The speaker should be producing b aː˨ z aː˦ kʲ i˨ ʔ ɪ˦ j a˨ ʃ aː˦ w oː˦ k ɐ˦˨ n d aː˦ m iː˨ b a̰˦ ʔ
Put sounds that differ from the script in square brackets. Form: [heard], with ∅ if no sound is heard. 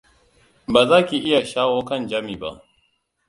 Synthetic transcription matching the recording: b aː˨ z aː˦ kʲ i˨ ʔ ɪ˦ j a˨ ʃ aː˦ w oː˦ k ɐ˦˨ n [d͡ʒ] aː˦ m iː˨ b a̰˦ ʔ